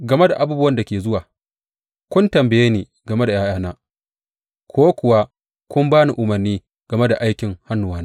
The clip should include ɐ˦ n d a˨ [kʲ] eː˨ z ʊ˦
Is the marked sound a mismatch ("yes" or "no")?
no